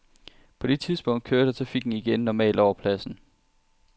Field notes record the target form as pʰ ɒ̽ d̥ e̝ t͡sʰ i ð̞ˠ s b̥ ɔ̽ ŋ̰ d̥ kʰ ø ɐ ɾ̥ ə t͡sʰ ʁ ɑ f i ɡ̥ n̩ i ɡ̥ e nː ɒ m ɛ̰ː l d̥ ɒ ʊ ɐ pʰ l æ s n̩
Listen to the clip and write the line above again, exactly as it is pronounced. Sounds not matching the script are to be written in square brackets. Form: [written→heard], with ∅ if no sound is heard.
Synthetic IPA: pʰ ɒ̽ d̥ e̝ t͡sʰ i ð̞ˠ s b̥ ɔ̽ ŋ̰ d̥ kʰ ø ɐ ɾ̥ ə t͡sʰ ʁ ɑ f i ɡ̥ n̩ i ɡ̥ e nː ɒ m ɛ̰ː l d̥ ɒ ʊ ɐ pʰ l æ s n̩